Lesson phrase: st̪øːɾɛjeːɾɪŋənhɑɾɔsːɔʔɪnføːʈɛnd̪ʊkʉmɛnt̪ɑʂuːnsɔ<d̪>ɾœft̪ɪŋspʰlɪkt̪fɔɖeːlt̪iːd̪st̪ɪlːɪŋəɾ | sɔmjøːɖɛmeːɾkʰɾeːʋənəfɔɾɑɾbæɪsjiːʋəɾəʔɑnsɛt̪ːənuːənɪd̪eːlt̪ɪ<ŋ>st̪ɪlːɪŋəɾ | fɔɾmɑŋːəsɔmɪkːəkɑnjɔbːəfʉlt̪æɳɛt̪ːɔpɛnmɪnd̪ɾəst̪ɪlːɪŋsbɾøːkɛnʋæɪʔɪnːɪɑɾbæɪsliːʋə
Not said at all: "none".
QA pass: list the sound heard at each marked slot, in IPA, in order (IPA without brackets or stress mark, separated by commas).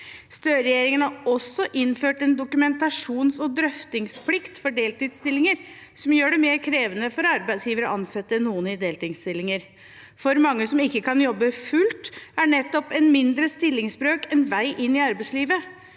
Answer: d̪, ŋ